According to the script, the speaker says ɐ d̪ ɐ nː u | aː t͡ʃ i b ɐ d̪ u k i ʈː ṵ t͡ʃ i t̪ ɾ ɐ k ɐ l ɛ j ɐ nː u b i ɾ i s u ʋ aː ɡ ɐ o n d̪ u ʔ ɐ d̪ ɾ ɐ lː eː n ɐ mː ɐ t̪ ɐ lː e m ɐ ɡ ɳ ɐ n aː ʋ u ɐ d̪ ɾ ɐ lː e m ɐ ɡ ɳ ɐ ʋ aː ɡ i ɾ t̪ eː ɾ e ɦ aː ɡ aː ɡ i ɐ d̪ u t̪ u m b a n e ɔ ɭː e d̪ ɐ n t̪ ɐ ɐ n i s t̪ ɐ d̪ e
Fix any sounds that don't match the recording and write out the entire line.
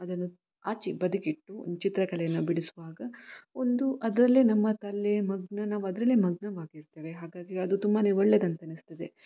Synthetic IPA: ɐ d̪ ɐ nː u | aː t͡ʃ i b ɐ d̪ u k i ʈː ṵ t͡ʃ i t̪ ɾ ɐ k ɐ l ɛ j ɐ nː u b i ɽ i s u ʋ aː ɡ ɐ o n d̪ u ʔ ɐ d̪ ɾ ɐ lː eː n ɐ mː ɐ t̪ ɐ lː e m ɐ ɡ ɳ ɐ n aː ʋ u ɐ d̪ ɾ ɐ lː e m ɐ ɡ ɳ ɐ ʋ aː ɡ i ɾ t̪ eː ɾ e ɦ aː ɡ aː ɡ i ɐ d̪ u t̪ u m b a n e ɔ ɭː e d̪ ɐ n t̪ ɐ ɐ n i s t̪ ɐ d̪ e

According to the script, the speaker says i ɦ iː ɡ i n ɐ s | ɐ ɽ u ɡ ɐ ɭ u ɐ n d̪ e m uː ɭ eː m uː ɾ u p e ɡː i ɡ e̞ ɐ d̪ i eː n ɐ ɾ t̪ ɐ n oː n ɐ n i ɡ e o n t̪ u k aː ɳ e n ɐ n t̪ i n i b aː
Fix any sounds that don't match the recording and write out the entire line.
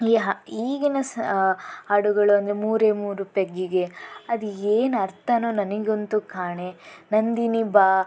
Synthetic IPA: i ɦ iː ɡ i n ɐ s | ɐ ɽ u ɡ ɐ ɭ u ɐ n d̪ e m uː ɾ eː m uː ɾ u p e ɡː i ɡ e̞ ɐ d̪ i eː n ɐ ɾ t̪ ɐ n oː n ɐ n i ɡ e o n t̪ u k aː ɳ e n ɐ n d̪ i n i b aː

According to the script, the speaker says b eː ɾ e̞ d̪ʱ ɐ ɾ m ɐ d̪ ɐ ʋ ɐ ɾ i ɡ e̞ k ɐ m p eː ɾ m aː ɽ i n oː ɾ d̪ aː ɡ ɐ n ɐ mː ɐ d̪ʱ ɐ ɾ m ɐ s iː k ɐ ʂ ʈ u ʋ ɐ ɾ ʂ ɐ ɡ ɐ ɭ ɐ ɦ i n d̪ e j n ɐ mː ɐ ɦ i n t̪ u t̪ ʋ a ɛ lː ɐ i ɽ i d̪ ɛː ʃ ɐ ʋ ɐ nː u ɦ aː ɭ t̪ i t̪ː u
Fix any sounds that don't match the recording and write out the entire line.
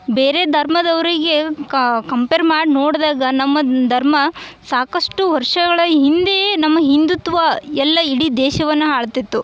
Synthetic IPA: b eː ɾ e̞ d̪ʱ ɐ ɾ m ɐ d̪ ɐ ʋ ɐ ɾ i ɡ e̞ k ɐ m p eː ɾ m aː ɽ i n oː ɽ d̪ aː ɡ ɐ n ɐ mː ɐ d̪ʱ ɐ ɾ m ɐ s aː k ɐ ʂ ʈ u ʋ ɐ ɾ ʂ ɐ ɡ ɐ ɭ ɐ ɦ i n d̪ e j n ɐ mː ɐ ɦ i n d̪ u t̪ ʋ ɐ ɛ lː ɐ i ɽ i d̪ ɛː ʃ ɐ ʋ ɐ nː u ɦ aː ɭ t̪ i t̪ː u

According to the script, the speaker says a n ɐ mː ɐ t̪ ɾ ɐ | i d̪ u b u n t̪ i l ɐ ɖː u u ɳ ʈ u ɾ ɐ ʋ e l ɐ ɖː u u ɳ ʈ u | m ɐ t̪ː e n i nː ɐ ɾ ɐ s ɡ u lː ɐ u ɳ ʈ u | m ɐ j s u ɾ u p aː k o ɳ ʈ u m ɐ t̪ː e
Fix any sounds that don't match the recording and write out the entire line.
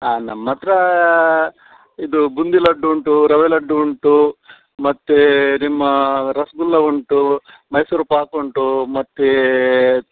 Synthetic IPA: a n ɐ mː ɐ t̪ ɾ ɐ | i d̪ u b u n d̪ i l ɐ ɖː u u ɳ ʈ u ɾ ɐ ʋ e l ɐ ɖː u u ɳ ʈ u | m ɐ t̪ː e n i mː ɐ ɾ ɐ s ɡ u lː ɐ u ɳ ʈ u | m ɐ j s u ɾ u p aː k o ɳ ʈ u m ɐ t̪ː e

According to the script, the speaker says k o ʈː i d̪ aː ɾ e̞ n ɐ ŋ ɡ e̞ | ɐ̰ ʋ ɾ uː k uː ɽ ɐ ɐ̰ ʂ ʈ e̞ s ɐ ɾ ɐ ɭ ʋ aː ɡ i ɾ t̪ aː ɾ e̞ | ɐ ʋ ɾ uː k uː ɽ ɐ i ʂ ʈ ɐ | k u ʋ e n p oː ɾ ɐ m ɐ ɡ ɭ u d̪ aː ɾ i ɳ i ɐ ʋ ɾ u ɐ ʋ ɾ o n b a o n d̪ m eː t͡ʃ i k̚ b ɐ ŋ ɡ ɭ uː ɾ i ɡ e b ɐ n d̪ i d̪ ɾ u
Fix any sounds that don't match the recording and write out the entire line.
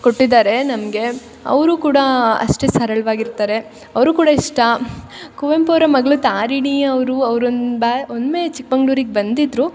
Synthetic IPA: k o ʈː i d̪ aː ɾ e̞ n ɐ m ɡ e̞ | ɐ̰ ʋ ɾ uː k uː ɽ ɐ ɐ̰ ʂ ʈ e̞ s ɐ ɾ ɐ ɭ ʋ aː ɡ i ɾ t̪ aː ɾ e̞ | ɐ ʋ ɾ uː k uː ɽ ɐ i ʂ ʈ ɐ | k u ʋ e m p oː ɾ ɐ m ɐ ɡ ɭ u t̪ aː ɾ i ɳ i ɐ ʋ ɾ u ɐ ʋ ɾ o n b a o n d̪ m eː t͡ʃ i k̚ b ɐ ŋ ɡ ɭ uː ɾ i ɡ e b ɐ n d̪ i d̪ ɾ u

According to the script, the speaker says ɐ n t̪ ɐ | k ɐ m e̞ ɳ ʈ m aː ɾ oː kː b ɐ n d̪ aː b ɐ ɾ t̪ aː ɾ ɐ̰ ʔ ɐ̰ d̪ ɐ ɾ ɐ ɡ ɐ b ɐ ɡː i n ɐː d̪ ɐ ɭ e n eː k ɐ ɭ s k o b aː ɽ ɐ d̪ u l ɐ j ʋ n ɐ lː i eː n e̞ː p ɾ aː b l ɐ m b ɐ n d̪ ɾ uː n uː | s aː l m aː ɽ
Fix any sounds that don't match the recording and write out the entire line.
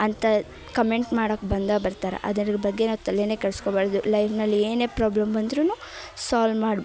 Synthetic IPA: ɐ n t̪ ɐ | k ɐ m e̞ ɳ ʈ m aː ɽ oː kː b ɐ n d̪ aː b ɐ ɾ t̪ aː ɾ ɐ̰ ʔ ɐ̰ d̪ ɐ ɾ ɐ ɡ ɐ b ɐ ɡː e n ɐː t̪ ɐ l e n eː k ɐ ɭ s k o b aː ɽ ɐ d̪ u l ɐ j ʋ n ɐ lː i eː n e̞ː p ɾ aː b l ɐ m b ɐ n d̪ ɾ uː n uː | s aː l m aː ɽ

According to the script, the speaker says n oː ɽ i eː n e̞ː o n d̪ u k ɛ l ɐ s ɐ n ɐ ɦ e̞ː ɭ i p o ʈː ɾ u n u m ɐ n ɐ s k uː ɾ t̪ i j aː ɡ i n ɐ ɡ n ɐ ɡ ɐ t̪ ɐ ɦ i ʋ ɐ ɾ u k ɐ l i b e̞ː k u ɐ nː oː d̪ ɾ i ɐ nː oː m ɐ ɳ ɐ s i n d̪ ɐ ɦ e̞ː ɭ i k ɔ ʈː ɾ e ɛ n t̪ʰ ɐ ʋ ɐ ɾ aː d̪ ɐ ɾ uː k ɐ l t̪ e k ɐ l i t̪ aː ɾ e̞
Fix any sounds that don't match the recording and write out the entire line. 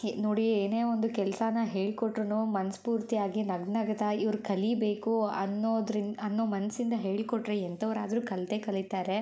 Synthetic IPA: n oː ɽ i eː n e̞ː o n d̪ u k ɛ l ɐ s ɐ n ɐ ɦ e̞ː ɭ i k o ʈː ɾ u n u m ɐ n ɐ s p uː ɾ t̪ i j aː ɡ i n ɐ ɡ n ɐ ɡ ɐ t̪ ɐ i ʋ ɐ ɾ u k ɐ l i b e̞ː k u ɐ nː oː d̪ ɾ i ɐ nː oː m ɐ n ɐ s i n d̪ ɐ ɦ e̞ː ɭ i k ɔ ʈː ɾ e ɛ n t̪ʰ ɐ ʋ ɐ ɾ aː d̪ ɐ ɾ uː k ɐ l t̪ e k ɐ l i t̪ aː ɾ e̞

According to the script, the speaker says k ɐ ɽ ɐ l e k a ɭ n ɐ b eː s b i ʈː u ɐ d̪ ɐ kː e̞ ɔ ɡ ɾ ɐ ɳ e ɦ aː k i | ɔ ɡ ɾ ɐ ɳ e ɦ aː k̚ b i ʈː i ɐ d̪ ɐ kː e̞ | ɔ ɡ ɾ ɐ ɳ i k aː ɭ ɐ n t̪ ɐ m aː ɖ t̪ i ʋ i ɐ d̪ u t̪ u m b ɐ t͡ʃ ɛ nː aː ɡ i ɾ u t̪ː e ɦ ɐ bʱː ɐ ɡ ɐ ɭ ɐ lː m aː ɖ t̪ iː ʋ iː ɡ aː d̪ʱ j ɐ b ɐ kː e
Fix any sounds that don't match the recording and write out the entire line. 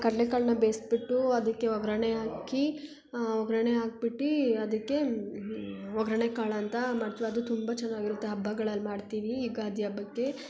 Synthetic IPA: k ɐ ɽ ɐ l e k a ɭ n ɐ b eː s b i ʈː u ɐ d̪ ɐ kː e̞ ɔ ɡ ɾ ɐ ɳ e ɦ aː k i | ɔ ɡ ɾ ɐ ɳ e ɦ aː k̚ b i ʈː i ɐ d̪ ɐ kː e̞ | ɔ ɡ ɾ ɐ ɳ e k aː ɭ ɐ n t̪ ɐ m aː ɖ t̪ i ʋ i ɐ d̪ u t̪ u m b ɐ t͡ʃ ɛ nː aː ɡ i ɾ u t̪ː e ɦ ɐ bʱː ɐ ɡ ɐ ɭ ɐ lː m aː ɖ t̪ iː ʋ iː ɡ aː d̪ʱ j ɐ b ɐ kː e

